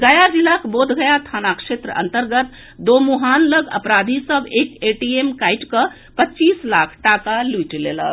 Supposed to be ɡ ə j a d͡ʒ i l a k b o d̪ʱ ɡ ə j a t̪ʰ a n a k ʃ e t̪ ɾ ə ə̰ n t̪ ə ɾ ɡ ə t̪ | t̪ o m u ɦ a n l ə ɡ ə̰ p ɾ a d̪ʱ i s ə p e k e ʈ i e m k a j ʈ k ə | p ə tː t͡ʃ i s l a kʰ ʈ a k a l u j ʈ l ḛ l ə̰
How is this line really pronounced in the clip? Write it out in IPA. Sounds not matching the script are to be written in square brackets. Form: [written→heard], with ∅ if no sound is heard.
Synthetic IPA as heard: ɡ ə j a d͡ʒ i l a k b o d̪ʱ ɡ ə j a t̪ʰ a n a k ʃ e t̪ ɾ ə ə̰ n t̪ ə ɾ ɡ ə t̪ | [t̪→d̪] o m u ɦ a n l ə ɡ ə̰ p ɾ a d̪ʱ i s ə [p→b] e k e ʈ i e m k a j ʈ k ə | p ə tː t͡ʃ i s l a kʰ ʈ a k a l u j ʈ l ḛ l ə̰

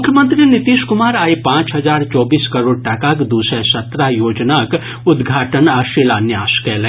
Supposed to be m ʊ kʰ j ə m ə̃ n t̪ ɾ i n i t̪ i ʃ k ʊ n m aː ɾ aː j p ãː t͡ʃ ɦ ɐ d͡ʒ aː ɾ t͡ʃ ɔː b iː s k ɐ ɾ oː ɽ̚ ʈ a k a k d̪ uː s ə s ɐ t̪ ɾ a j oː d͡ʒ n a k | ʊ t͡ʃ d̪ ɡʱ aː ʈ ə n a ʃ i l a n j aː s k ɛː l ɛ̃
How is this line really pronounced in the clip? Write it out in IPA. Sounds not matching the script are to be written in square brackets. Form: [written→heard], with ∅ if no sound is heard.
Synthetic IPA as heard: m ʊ kʰ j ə m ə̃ n t̪ ɾ i n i t̪ i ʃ k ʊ [n→∅] m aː ɾ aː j p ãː t͡ʃ ɦ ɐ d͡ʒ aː ɾ t͡ʃ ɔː b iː s k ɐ ɾ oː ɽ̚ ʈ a k a k d̪ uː s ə s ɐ t̪ ɾ a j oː d͡ʒ n a k | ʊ [t͡ʃ→∅] d̪ ɡʱ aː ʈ ə n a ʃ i l a n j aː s k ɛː l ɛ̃

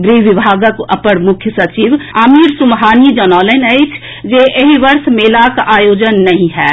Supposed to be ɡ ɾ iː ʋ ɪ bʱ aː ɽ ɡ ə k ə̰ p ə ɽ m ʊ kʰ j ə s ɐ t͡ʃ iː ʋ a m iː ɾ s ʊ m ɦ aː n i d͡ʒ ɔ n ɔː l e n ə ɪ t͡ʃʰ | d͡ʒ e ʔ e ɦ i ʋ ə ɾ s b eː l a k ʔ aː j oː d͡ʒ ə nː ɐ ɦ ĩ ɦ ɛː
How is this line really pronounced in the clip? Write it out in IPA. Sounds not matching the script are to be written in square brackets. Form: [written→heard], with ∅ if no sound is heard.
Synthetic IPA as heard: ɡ ɾ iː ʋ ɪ bʱ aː [ɽ→∅] ɡ ə k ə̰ p ə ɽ m ʊ kʰ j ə s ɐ t͡ʃ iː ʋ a m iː ɾ s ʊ m ɦ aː n i d͡ʒ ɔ n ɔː l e n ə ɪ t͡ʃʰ | d͡ʒ e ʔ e ɦ i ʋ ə ɾ s [b→m] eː l a k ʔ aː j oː d͡ʒ ə nː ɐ ɦ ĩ ɦ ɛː

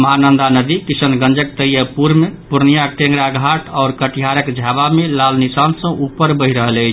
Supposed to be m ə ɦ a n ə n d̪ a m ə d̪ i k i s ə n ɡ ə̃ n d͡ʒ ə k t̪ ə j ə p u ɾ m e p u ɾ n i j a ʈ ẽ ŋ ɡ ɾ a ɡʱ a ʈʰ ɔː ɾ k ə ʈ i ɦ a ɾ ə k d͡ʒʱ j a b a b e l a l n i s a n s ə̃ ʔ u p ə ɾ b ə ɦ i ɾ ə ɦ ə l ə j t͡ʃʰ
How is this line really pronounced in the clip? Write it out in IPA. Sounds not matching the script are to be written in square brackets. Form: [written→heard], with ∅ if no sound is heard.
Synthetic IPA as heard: m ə ɦ a n ə n d̪ a [m→n] ə d̪ i k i s ə n ɡ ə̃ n d͡ʒ ə k t̪ ə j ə p u ɾ m e p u ɾ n i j a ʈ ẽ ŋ ɡ ɾ a ɡʱ a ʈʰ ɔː ɾ k ə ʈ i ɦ a ɾ ə k d͡ʒʱ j a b a [b→m] e l a l n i s a n s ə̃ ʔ u p ə ɾ b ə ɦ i ɾ ə ɦ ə l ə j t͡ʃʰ

